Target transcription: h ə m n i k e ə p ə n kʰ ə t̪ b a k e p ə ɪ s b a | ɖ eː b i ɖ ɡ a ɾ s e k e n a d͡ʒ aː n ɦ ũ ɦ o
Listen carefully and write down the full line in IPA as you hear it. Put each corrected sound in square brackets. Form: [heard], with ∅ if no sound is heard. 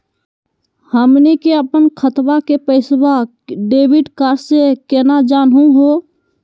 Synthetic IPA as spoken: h ə m n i k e ə p ə n kʰ ə t̪ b a k e p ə ɪ s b a | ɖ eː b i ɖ [k] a ɾ s e k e n a d͡ʒ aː n ɦ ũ ɦ o